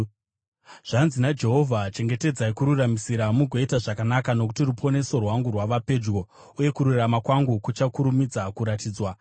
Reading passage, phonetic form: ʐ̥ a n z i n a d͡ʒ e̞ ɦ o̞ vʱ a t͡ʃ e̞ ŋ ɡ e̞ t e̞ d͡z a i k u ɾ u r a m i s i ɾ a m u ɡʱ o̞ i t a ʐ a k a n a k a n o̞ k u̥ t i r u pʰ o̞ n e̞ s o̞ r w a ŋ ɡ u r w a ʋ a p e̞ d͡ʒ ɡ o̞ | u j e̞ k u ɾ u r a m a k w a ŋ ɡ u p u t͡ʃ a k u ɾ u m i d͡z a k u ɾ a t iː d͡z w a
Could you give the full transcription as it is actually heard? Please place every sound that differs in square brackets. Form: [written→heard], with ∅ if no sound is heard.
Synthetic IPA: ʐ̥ a n z i n a d͡ʒ e̞ ɦ o̞ vʱ a t͡ʃ e̞ ŋ ɡ e̞ t e̞ d͡z a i k u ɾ u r a m i s i ɾ a m u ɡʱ o̞ i t a ʐ a k a n a k a n o̞ k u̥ t i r u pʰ o̞ n e̞ s o̞ r w a ŋ ɡ u r w a ʋ a p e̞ d͡ʒ ɡ o̞ | u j e̞ k u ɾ u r a m a k w a ŋ ɡ u [p→k] u t͡ʃ a k u ɾ u m i d͡z a k u ɾ a t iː d͡z w a

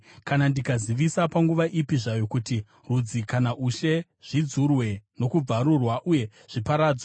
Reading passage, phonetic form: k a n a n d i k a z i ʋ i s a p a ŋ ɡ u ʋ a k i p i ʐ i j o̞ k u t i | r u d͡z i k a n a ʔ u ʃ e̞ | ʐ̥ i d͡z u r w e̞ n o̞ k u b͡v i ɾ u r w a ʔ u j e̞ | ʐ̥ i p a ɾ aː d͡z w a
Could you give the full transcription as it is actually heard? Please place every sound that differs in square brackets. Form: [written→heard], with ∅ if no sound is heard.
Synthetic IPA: k a n a n d i k a z i ʋ i s a p a ŋ ɡ u ʋ a [k→ʔ] i p i ʐ [i→a] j o̞ k u t i | r u d͡z i k a n a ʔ u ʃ e̞ | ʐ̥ i d͡z u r w e̞ n o̞ k u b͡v [i→a] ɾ u r w a ʔ u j e̞ | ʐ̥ i p a ɾ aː d͡z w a

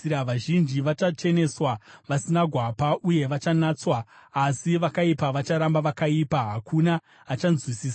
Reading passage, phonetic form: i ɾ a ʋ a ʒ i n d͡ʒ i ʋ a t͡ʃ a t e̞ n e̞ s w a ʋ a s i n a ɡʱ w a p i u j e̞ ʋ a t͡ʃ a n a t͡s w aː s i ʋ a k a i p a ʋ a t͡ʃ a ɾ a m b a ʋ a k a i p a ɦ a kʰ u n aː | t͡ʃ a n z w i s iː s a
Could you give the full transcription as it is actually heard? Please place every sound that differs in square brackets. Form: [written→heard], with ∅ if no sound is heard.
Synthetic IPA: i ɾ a ʋ a ʒ i n d͡ʒ i ʋ a t͡ʃ a [t→t͡ʃ] e̞ n e̞ s w a ʋ a s i n a ɡʱ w a p [i→a] u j e̞ ʋ a t͡ʃ a n a t͡s w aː s i ʋ a k a i p a ʋ a t͡ʃ a ɾ a m b a ʋ a k a i p a ɦ a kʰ u n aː | t͡ʃ a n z w i s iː s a

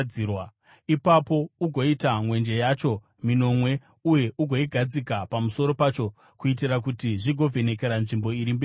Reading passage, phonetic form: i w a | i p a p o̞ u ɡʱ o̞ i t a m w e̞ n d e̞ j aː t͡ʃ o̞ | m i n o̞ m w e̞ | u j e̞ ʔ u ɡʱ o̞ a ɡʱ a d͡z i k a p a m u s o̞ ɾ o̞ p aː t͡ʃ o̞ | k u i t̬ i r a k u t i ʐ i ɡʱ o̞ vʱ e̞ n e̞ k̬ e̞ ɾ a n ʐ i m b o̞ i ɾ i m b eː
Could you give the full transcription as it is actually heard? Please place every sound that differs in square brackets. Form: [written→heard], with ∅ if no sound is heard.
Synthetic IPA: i w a | i p a p o̞ u ɡʱ o̞ i t a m w e̞ n [d→d͡ʒ] e̞ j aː t͡ʃ o̞ | m i n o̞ m w e̞ | u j e̞ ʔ u ɡʱ o̞ [a→i] ɡʱ a d͡z i k a p a m u s o̞ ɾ o̞ p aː t͡ʃ o̞ | k u i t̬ i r a k u t i ʐ i ɡʱ o̞ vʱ e̞ n e̞ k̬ e̞ ɾ a n ʐ i m b o̞ i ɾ i m b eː

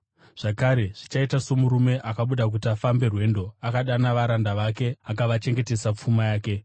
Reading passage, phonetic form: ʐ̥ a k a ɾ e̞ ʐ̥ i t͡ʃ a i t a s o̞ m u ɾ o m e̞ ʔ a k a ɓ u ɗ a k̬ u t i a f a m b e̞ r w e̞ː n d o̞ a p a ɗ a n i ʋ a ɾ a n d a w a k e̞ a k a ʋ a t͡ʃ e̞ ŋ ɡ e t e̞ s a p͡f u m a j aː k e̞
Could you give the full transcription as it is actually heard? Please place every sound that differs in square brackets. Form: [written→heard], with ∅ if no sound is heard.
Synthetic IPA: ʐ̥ a k a ɾ e̞ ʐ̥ i t͡ʃ a i t a s o̞ m u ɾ [o→u] m e̞ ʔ a k a ɓ u ɗ a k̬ u t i a f a m b e̞ r w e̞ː n d o̞ a [p→k] a ɗ a n [i→a] ʋ a ɾ a n d a [w→ʋ] a k e̞ a k a ʋ a t͡ʃ e̞ ŋ ɡ e t e̞ s a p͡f u m a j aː k e̞

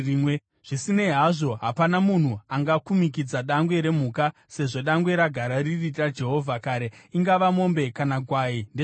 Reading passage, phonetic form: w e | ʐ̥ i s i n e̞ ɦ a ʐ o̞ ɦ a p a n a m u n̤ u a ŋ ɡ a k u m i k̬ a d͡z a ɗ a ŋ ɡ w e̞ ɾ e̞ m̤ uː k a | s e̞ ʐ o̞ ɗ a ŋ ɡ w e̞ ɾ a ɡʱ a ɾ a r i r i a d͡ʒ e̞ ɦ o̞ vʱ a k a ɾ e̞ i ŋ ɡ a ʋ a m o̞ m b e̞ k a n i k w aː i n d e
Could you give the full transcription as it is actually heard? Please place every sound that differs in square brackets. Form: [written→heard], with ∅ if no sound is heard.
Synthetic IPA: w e | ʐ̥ i s i n e̞ ɦ a ʐ o̞ ɦ a p a n a m u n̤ u a ŋ ɡ a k u m i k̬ [a→i] d͡z a ɗ a ŋ ɡ w e̞ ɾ e̞ m̤ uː k a | s e̞ ʐ o̞ ɗ a ŋ ɡ w e̞ ɾ a ɡʱ a ɾ a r i r i a d͡ʒ e̞ ɦ o̞ vʱ a k a ɾ e̞ i ŋ ɡ a ʋ a m o̞ m b e̞ k a n [i→a] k w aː i n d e

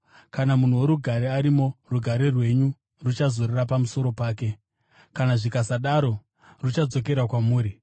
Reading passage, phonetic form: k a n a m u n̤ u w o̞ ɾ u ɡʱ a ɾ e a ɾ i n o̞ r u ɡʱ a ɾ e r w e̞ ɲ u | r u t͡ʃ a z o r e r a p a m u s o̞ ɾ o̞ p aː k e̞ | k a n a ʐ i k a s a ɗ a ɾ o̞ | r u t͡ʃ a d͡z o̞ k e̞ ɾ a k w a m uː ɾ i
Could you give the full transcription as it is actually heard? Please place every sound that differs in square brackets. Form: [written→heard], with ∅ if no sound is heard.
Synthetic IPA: k a n a m u n̤ u w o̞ ɾ u ɡʱ a ɾ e a ɾ i [n→m] o̞ r u ɡʱ a ɾ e r w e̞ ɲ u | r u t͡ʃ a z o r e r a p a m u s o̞ ɾ o̞ p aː k e̞ | k a n a ʐ i k a s a ɗ a ɾ o̞ | r u t͡ʃ a d͡z o̞ k e̞ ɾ a k w a m uː ɾ i

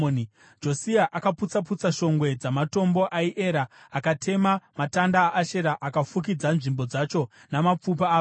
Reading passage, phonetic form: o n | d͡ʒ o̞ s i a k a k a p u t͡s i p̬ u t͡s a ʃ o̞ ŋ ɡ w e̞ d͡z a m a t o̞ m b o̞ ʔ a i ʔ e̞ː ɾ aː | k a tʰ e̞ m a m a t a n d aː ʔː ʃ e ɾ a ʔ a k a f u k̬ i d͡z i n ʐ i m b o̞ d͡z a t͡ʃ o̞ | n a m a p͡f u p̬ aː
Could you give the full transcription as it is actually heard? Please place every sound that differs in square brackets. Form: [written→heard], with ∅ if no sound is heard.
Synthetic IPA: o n | d͡ʒ o̞ s i a [k→ʔ] a k a p u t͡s [i→a] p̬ u t͡s a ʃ o̞ ŋ ɡ w e̞ d͡z a m a t o̞ m b o̞ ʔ a i ʔ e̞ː ɾ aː | k a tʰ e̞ m a m a t a n d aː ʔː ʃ e ɾ a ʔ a k a f u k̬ i d͡z [i→a] n ʐ i m b o̞ d͡z a t͡ʃ o̞ | n a m a p͡f u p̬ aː

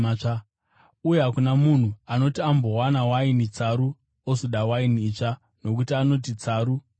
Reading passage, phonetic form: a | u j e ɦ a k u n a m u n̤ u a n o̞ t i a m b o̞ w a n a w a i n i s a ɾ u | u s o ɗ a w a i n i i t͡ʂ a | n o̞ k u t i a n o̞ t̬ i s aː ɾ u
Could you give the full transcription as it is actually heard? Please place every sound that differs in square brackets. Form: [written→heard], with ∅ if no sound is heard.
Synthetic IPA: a | u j e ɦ a k u n a m u n̤ u a n o̞ t i a m b o̞ w a n a w a i n i [s→t͡s] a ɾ u | [u→o] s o ɗ a w a i n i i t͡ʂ a | n o̞ k u t i a n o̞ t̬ i [s→t͡s] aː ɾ u

